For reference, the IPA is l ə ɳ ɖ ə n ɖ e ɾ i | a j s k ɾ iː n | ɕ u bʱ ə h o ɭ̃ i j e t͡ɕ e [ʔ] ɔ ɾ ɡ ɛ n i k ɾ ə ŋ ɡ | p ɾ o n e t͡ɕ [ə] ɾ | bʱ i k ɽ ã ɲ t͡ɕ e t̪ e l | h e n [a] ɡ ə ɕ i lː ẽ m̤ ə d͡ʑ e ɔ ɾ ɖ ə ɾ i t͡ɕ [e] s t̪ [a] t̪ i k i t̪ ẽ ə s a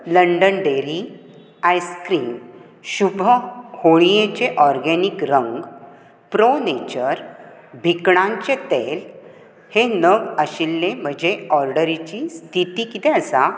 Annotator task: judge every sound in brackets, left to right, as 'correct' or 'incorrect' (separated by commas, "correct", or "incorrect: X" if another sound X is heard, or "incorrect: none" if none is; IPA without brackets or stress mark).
correct, correct, incorrect: ə, incorrect: i, incorrect: i